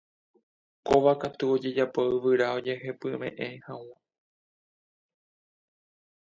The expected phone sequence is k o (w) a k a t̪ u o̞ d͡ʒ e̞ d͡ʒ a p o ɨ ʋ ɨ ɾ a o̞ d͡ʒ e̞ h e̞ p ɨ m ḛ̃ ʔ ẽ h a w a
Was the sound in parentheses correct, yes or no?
no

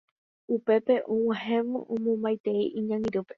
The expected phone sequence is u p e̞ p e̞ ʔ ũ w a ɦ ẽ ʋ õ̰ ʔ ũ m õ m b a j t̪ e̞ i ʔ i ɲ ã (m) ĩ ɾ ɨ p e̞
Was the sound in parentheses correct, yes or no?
no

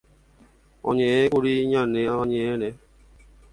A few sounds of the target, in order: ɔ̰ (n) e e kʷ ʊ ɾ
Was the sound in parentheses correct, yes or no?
no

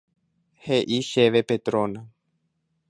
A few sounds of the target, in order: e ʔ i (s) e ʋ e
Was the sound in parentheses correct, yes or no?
no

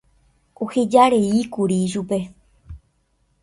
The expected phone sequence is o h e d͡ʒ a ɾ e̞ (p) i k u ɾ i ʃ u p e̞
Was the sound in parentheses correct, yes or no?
no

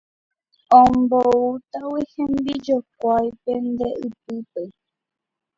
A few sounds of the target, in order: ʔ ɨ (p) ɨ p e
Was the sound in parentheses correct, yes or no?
yes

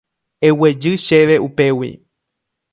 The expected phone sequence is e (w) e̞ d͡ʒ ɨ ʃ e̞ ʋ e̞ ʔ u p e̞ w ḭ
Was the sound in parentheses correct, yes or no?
yes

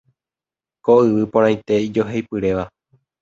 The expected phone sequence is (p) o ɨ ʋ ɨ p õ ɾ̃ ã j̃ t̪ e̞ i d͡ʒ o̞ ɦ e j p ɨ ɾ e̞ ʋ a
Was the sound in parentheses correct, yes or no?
no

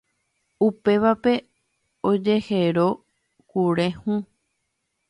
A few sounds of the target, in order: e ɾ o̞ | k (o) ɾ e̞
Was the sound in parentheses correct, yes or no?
no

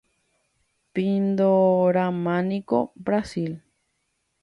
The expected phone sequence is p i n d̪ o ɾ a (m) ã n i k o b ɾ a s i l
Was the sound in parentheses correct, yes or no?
yes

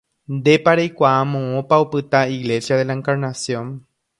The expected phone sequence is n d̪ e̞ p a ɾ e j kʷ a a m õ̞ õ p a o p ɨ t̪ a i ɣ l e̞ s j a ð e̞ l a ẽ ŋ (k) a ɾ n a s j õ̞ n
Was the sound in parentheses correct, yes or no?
yes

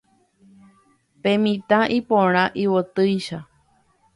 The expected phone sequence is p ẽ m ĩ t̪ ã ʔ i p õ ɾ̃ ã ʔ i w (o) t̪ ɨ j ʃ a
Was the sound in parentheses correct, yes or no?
yes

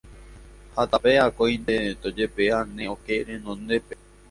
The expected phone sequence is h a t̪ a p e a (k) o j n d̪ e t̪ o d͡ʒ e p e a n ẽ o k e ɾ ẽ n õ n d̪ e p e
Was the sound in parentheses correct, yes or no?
yes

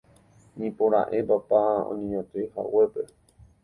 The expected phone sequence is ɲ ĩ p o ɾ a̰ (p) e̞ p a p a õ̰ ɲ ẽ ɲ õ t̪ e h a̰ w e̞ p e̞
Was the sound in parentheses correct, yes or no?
no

